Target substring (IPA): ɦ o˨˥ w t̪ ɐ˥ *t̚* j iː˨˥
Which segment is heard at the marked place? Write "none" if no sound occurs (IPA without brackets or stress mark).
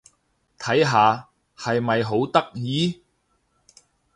k̚